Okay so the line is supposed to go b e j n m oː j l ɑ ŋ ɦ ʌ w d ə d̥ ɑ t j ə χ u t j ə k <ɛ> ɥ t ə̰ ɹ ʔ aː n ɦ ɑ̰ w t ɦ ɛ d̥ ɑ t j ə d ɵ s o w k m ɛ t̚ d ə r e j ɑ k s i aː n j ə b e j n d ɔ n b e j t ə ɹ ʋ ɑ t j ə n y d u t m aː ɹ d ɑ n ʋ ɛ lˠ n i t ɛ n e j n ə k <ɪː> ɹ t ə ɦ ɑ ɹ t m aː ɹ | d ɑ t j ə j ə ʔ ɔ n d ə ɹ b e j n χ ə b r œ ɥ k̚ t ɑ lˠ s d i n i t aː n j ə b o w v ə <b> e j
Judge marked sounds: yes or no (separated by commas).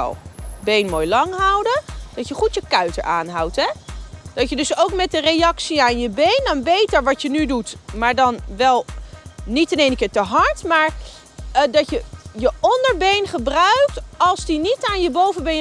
no, yes, yes